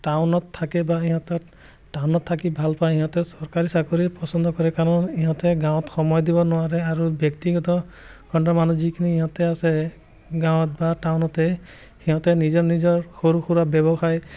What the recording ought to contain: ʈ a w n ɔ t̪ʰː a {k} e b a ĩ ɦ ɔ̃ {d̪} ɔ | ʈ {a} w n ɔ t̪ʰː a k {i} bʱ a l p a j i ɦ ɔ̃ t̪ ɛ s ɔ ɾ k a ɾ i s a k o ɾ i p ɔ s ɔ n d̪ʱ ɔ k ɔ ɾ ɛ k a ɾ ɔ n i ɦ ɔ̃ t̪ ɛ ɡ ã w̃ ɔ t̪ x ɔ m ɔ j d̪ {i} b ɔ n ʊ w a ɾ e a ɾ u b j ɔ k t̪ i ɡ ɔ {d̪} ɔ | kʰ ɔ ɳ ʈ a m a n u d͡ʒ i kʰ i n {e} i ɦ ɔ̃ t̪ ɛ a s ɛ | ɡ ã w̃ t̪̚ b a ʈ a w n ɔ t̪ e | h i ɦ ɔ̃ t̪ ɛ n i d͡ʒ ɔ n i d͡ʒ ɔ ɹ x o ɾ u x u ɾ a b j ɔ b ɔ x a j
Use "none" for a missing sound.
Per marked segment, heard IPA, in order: k, t̪, a, i, i, t̪, i

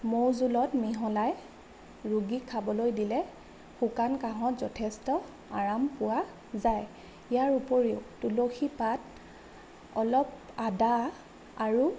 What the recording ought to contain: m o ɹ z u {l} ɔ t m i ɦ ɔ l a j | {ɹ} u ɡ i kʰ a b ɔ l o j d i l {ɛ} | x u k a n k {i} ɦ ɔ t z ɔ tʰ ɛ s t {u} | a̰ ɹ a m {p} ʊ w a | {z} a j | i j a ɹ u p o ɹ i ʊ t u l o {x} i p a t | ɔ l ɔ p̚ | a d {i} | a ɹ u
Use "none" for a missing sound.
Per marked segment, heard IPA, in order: l, ɹ, ɛ, a, ɔ, p, z, x, a

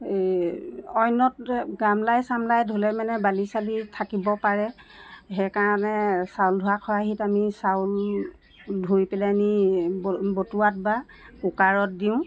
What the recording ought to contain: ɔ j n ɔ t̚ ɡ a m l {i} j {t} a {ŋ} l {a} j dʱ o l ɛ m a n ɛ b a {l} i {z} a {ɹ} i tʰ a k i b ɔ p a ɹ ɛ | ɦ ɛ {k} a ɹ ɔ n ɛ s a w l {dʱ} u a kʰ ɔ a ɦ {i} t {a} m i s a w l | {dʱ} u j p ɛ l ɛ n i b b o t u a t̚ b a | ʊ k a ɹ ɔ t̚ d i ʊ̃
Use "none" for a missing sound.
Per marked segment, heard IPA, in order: a, s, m, a, l, s, l, k, dʱ, i, a, dʱ

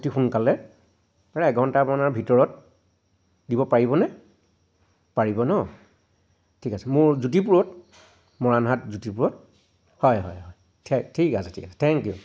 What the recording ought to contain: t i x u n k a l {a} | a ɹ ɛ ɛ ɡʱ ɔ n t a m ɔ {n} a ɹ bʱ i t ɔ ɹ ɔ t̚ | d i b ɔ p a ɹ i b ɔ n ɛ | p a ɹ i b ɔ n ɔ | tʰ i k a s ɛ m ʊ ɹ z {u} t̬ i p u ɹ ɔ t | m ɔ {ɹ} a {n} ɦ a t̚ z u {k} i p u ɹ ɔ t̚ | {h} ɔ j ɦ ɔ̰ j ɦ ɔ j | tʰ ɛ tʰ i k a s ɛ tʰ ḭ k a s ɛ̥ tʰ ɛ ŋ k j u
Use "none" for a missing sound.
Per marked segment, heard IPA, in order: ɛ, n, u, ɹ, n, t, h

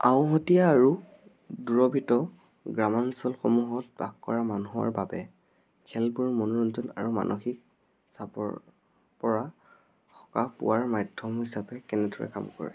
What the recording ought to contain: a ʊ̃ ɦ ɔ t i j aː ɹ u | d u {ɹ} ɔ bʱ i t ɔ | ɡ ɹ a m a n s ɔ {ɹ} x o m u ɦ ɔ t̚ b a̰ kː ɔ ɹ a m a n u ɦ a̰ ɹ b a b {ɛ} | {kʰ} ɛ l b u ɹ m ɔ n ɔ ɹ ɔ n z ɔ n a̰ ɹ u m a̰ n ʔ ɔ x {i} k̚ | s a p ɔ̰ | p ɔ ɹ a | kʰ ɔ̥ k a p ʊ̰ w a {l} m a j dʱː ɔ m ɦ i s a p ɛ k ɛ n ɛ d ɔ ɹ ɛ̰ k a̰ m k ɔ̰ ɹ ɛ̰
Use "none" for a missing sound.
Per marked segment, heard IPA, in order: ɹ, l, ɛ, kʰ, i, ɹ

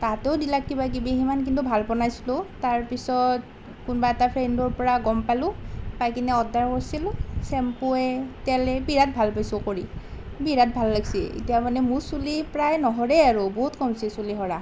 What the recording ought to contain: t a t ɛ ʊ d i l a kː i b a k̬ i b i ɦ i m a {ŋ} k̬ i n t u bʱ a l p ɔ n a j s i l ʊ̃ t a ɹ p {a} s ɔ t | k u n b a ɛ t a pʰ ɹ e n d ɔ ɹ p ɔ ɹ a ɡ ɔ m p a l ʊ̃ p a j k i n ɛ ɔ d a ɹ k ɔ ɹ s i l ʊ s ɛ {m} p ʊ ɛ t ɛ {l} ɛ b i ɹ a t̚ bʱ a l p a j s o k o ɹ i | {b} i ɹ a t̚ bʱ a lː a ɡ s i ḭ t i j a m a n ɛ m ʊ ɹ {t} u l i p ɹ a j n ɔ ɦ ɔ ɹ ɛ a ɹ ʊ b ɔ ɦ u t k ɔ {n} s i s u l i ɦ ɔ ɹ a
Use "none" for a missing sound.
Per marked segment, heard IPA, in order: n, i, m, l, b, s, m

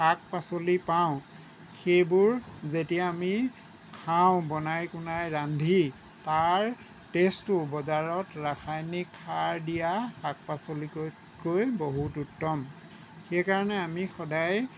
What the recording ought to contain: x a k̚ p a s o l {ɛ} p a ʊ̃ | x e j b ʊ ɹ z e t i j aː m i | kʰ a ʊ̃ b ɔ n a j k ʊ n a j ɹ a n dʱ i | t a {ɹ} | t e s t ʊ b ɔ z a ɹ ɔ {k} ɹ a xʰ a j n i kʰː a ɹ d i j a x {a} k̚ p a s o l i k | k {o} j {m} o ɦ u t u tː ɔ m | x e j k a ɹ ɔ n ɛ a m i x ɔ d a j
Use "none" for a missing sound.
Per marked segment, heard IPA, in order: i, ɹ, t, a, o, b

